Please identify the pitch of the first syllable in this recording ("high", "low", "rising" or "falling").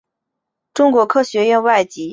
high